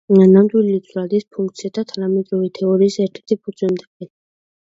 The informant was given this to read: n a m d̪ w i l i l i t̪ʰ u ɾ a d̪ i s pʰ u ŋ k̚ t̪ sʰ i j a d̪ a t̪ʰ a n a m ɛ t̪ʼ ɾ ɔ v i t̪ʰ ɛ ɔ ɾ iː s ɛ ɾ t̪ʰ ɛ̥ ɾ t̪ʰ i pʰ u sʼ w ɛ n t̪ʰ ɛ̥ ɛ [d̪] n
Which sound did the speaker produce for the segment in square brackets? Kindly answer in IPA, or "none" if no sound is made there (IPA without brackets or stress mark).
none